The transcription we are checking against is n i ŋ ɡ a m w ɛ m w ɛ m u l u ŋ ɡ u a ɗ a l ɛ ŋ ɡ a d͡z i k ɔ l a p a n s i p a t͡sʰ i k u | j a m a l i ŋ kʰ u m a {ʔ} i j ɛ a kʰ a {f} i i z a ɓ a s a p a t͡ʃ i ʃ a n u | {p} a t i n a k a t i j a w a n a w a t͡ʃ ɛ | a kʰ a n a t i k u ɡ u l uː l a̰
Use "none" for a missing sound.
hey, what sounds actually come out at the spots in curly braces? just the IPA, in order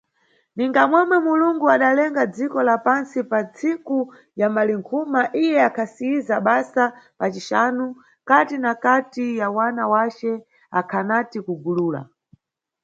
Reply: ʔ, s, k

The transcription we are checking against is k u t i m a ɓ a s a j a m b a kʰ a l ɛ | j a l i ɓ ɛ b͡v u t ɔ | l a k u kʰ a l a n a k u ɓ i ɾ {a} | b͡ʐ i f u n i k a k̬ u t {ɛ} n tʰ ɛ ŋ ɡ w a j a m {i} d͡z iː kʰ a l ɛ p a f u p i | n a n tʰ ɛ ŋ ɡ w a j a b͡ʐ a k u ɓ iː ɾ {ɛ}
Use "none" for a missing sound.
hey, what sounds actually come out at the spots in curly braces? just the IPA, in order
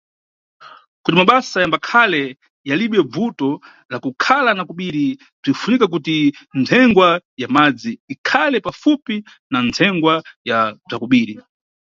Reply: i, i, a, i

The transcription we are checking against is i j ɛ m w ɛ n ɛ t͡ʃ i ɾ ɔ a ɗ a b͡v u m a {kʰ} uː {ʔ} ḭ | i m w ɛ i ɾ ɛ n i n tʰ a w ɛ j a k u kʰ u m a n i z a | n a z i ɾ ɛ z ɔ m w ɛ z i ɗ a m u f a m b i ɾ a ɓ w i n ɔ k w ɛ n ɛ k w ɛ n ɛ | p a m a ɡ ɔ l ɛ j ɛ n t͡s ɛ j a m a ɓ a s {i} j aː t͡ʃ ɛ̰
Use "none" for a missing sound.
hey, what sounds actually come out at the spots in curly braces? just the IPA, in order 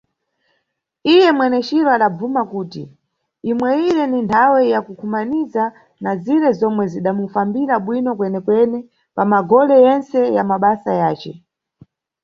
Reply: k, t, a

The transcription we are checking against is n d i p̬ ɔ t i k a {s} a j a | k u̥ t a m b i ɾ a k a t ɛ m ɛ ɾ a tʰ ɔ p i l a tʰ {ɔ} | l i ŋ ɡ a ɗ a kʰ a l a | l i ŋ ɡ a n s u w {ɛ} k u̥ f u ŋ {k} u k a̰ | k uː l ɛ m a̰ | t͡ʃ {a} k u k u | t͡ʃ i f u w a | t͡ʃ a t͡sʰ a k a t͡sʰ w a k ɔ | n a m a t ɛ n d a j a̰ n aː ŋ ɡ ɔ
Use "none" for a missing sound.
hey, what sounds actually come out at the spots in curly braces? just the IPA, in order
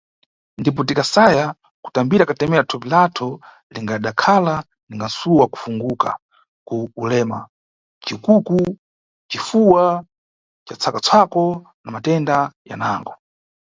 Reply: s, ɔ, a, ɡ, i

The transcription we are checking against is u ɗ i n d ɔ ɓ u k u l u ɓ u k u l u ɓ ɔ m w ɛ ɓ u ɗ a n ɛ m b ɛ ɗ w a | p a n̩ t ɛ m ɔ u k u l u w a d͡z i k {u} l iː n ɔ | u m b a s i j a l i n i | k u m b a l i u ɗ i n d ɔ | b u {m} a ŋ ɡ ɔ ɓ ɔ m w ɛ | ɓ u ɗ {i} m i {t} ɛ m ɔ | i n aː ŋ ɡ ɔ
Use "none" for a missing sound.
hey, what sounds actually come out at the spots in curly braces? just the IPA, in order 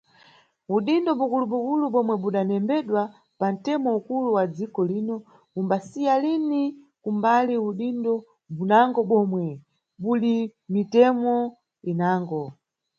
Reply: ɔ, n, i, t

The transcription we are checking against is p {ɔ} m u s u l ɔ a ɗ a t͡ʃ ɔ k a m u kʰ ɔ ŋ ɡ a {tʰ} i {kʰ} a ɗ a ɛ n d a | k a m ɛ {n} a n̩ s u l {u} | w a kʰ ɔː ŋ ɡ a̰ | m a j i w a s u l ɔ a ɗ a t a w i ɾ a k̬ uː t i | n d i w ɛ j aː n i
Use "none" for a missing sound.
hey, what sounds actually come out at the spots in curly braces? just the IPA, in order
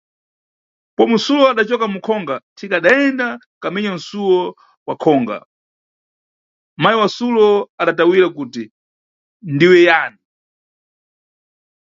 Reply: ɔ, tʰ, k, ɲ, ɔ

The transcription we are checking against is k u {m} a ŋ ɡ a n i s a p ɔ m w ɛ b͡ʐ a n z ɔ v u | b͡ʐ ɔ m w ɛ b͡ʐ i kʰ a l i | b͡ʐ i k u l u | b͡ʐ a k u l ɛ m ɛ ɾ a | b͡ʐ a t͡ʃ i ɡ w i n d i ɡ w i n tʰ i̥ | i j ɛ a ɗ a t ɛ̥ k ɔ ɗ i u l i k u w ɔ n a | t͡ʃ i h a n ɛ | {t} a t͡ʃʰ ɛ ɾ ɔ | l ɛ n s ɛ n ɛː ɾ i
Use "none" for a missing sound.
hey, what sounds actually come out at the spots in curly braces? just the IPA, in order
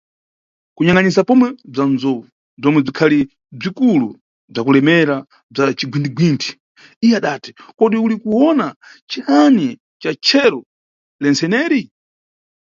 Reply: ɲ, t͡ʃ

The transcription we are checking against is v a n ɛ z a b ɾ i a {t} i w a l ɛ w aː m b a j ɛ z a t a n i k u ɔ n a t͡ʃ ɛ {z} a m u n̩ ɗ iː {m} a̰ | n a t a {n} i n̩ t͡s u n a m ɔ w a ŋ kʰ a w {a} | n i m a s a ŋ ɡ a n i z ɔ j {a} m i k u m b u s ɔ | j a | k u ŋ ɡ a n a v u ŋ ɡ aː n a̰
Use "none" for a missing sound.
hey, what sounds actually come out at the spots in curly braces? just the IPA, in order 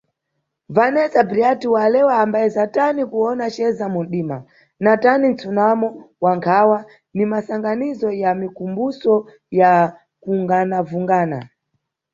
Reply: t, z, m, n, a, a

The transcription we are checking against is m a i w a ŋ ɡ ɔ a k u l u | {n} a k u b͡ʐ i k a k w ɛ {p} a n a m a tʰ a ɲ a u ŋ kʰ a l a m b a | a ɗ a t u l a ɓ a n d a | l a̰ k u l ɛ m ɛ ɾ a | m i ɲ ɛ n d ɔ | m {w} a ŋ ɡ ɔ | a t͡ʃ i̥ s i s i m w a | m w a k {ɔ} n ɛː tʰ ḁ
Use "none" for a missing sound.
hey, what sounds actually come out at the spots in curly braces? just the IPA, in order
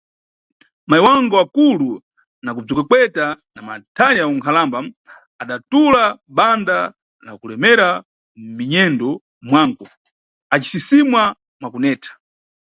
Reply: n, t, w, u

